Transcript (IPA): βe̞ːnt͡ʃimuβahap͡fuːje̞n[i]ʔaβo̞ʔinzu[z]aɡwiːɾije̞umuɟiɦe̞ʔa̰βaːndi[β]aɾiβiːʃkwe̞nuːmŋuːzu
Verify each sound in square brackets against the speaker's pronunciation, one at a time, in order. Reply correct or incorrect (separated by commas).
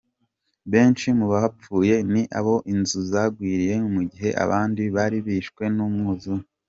correct, correct, correct